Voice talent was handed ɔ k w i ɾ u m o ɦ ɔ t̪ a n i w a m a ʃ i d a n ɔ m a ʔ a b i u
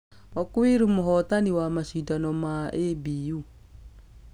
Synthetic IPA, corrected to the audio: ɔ k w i ɾ u m o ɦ ɔ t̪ a n i w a m a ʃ i d a n ɔ m a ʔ e b i u